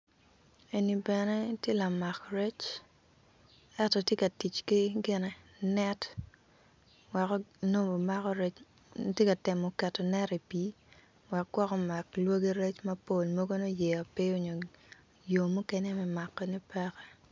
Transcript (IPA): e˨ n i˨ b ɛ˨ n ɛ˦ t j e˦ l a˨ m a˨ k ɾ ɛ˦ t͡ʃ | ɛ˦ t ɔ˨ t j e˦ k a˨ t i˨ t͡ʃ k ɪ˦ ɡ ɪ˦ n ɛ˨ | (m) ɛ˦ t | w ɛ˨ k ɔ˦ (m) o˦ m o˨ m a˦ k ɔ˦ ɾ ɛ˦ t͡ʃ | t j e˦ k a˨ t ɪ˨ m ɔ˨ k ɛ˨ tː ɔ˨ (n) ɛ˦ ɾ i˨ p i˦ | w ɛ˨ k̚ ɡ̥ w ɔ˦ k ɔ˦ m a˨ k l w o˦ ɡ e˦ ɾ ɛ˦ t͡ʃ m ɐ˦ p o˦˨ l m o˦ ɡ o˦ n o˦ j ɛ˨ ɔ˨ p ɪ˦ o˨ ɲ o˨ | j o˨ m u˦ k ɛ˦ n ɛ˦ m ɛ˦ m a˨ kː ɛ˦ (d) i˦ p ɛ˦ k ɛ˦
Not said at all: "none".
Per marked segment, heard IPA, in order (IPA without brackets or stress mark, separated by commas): n, n, n, n